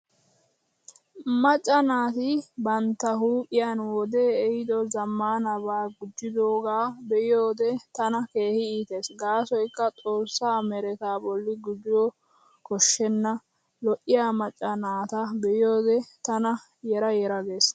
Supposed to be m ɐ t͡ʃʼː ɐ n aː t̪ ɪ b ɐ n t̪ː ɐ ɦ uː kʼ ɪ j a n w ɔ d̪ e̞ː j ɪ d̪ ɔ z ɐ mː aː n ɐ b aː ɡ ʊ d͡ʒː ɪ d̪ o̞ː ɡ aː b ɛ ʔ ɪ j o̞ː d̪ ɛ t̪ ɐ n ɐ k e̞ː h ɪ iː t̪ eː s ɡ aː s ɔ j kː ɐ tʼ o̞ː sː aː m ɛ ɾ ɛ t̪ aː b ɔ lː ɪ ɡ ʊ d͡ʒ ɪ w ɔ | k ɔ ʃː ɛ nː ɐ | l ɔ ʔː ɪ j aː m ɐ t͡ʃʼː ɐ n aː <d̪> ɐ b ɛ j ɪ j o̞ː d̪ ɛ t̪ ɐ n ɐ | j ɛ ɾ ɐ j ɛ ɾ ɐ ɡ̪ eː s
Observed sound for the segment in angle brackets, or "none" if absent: t̪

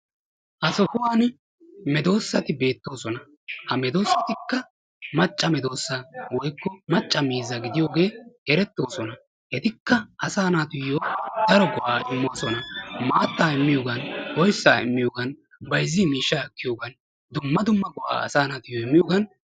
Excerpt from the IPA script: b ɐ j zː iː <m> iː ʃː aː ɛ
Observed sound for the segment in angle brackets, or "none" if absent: m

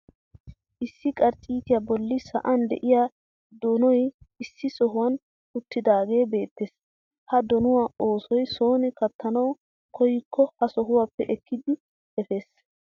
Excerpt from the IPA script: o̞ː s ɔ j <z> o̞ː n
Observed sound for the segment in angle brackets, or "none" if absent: s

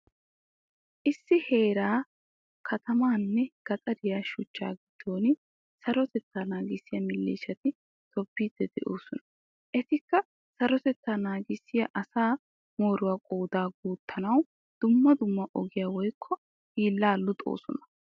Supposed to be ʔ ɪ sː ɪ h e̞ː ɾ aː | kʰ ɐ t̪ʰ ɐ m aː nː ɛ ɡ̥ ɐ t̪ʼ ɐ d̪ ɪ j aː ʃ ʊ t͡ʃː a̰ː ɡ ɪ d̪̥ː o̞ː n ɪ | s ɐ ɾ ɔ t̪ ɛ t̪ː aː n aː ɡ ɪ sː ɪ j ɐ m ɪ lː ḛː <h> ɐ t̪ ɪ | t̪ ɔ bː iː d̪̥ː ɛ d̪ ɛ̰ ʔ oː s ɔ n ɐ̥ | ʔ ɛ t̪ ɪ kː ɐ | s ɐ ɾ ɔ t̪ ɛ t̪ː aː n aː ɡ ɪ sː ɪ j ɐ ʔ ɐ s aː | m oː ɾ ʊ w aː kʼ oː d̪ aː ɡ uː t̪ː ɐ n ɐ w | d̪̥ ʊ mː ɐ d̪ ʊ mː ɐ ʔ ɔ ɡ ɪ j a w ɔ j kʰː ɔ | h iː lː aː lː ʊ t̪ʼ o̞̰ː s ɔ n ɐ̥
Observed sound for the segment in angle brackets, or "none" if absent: ʃ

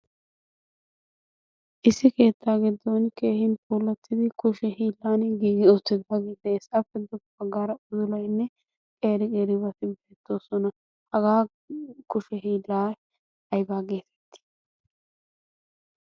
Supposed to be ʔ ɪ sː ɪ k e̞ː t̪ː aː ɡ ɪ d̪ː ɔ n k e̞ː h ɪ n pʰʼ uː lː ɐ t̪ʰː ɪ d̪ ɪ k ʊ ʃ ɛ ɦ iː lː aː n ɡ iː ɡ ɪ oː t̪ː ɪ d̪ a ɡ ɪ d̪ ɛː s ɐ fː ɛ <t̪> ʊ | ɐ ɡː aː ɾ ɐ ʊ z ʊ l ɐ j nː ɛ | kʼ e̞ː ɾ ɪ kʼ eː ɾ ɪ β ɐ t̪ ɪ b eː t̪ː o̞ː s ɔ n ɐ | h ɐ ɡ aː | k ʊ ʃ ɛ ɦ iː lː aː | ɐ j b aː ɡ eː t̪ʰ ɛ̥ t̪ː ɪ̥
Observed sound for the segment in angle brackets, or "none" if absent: d̪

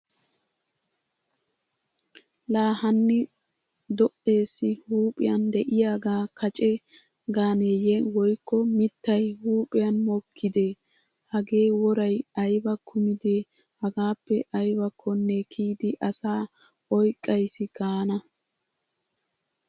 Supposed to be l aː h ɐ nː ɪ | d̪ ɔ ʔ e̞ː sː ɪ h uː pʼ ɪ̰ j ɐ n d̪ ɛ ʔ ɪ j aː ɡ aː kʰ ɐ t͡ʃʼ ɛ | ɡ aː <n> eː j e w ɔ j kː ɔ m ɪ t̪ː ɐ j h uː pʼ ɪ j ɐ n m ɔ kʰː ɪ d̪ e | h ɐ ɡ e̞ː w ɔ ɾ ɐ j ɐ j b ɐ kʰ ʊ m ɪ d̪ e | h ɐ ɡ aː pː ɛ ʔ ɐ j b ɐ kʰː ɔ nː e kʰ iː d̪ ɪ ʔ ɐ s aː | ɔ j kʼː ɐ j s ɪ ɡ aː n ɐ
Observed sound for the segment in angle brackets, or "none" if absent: n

